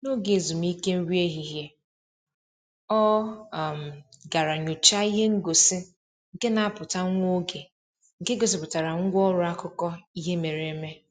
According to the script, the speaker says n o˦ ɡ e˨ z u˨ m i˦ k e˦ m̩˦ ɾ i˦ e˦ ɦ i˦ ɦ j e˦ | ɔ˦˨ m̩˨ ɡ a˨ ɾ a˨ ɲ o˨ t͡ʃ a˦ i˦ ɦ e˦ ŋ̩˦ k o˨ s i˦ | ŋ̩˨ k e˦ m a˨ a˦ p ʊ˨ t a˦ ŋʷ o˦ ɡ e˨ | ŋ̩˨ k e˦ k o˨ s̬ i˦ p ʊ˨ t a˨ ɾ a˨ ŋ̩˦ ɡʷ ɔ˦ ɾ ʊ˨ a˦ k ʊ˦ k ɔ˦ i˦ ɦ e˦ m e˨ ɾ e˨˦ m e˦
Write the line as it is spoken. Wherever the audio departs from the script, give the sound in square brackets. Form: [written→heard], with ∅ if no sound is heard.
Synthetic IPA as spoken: n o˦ ɡ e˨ z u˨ m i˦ k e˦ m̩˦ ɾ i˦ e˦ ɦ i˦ ɦ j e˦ | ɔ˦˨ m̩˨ ɡ a˨ ɾ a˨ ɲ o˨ t͡ʃ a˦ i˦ ɦ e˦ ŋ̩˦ [k→ɡ] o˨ s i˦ | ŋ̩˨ k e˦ [m→n] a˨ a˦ p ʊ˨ t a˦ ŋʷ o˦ ɡ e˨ | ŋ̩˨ k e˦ [k→ɡ] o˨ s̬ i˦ p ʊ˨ t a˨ ɾ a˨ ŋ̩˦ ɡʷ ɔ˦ ɾ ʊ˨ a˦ k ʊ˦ k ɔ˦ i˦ ɦ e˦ m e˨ ɾ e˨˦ m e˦